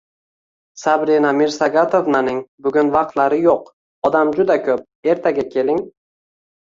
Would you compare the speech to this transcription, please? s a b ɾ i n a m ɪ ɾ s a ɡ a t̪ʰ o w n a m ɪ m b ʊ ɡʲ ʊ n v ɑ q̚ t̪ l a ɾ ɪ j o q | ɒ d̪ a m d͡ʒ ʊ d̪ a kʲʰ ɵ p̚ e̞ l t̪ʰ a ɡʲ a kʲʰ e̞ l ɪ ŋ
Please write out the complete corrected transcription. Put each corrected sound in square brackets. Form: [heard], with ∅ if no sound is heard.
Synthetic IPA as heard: s a b ɾ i n a m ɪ ɾ s a ɡ a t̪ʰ o [v] n a [n] ɪ [ŋ] b ʊ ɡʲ ʊ n v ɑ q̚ t̪ l a ɾ ɪ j o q | ɒ d̪ a m d͡ʒ ʊ d̪ a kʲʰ ɵ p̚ e̞ [ɾ] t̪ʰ a ɡʲ a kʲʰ e̞ l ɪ ŋ